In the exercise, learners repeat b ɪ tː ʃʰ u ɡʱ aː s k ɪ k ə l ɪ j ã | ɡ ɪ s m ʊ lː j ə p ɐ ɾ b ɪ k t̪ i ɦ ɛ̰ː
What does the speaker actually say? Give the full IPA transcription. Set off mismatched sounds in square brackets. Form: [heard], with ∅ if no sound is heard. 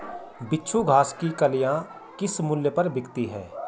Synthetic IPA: b ɪ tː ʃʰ u ɡʱ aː s k [i] k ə l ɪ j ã | [k] ɪ s m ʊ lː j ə p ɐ ɾ b ɪ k t̪ i ɦ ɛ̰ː